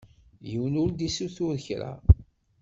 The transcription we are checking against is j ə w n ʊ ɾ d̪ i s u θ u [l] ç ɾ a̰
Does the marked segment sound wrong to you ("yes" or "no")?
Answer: yes